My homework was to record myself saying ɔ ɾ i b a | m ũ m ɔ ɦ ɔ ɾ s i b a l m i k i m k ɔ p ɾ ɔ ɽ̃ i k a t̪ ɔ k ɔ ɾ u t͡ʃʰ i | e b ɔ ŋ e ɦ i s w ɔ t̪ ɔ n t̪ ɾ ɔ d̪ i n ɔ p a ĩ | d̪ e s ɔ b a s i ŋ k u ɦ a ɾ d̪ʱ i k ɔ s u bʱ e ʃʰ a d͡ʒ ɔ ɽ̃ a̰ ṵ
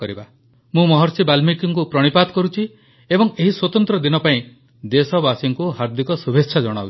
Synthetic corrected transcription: ɔ ɾ i b a | m ũ m ɔ ɦ ɔ ɾ s i b a l m i k i ŋ k u p ɾ ɔ ɽ̃ i p a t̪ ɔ k ɔ ɾ u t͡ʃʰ i | e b ɔ ŋ e ɦ i s w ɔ t̪ ɔ n t̪ ɾ ɔ d̪ i n ɔ p a ĩ | d̪ e s ɔ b a s i ŋ k u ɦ a ɾ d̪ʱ i k ɔ s u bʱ e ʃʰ a d͡ʒ ɔ ɽ̃ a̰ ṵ